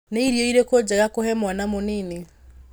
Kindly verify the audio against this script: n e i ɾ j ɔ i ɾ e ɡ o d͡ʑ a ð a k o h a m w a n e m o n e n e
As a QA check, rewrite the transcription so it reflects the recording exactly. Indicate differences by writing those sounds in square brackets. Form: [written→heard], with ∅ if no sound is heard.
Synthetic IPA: n e i ɾ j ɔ i ɾ e [ɡ→k] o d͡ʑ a [ð→ɣ] a k o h [a→ɛ] m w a n [e→a] m o n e n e